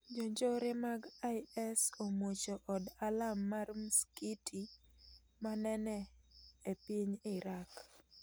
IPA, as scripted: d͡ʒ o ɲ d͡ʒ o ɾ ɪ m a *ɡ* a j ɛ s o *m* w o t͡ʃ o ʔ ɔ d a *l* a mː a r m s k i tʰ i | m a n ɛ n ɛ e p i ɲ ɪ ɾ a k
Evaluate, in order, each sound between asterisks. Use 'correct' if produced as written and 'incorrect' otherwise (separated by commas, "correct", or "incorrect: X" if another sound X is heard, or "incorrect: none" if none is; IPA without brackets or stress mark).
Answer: correct, correct, correct